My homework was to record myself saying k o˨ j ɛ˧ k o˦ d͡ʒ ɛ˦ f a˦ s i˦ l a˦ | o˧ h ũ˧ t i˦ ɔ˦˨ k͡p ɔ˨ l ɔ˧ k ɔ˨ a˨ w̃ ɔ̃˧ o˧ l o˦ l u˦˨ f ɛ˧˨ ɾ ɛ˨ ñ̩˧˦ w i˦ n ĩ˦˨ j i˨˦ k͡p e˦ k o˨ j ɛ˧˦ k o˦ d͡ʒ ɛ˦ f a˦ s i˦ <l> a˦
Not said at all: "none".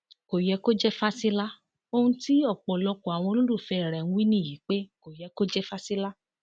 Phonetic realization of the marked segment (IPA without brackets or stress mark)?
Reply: l